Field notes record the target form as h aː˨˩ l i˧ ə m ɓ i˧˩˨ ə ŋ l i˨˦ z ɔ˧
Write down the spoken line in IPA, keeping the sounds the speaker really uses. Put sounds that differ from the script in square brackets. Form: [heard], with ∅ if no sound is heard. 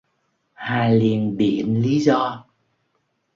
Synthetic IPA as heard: h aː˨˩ l [i˨˩] ə [n] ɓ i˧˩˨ ə [n] l i˨˦ z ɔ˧